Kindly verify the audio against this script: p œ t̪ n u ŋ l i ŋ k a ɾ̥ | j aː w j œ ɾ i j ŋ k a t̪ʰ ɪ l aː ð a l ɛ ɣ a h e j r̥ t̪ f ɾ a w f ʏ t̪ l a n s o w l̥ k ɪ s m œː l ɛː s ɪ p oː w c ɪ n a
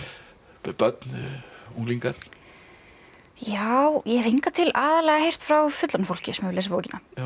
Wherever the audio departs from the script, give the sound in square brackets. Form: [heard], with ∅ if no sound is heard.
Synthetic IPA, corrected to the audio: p œ t̪ n u ŋ l i ŋ k a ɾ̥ | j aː w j [ɛ] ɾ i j ŋ k a t̪ʰ ɪ l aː ð a l ɛ ɣ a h e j r̥ t̪ f ɾ a w f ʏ t̪ l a n [f] o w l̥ [c] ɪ s m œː l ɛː s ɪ p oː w c ɪ n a